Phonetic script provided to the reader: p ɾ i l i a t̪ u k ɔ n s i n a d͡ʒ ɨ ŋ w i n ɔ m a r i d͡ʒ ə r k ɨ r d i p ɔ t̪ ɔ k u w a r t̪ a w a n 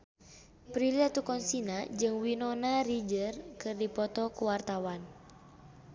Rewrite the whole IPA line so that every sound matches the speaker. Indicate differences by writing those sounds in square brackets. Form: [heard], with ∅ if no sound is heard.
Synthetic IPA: p ɾ i l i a t̪ u k ɔ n s i n a d͡ʒ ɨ ŋ w i n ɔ [n] a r i d͡ʒ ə r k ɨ r d i p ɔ t̪ ɔ k u w a r t̪ a w a n